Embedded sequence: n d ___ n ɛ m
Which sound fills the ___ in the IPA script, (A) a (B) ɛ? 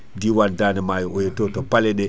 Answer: A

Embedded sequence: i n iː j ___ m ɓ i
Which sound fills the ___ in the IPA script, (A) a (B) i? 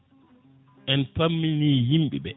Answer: B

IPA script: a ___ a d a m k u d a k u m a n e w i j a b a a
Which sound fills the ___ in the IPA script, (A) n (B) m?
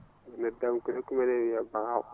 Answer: A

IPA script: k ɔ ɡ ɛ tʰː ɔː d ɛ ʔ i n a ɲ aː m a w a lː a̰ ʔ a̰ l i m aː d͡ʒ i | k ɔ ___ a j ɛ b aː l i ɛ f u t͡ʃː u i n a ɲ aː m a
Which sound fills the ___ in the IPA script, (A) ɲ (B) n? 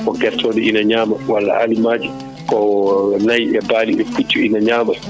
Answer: B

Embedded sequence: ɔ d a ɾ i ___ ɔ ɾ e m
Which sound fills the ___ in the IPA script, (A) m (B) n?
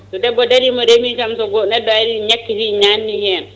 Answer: A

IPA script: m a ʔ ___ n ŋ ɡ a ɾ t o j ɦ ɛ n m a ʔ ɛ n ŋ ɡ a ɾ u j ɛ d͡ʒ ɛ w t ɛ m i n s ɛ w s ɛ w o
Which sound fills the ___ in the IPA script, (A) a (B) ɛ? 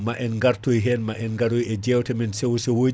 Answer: B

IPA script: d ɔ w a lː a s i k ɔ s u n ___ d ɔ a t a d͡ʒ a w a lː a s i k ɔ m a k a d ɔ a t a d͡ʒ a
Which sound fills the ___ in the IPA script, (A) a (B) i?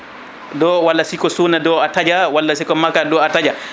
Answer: A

